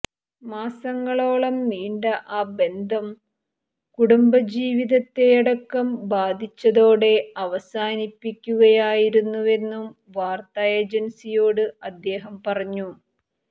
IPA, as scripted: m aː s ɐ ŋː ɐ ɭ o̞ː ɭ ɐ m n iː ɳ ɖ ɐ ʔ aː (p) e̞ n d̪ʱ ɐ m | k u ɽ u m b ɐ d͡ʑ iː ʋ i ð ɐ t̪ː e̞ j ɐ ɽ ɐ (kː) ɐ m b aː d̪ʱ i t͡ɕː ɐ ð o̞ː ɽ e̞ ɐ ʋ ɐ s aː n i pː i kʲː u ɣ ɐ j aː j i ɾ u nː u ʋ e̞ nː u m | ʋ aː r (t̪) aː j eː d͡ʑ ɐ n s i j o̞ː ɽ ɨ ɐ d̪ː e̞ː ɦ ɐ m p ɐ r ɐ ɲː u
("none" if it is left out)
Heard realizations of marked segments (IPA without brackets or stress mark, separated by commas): b, kː, t̪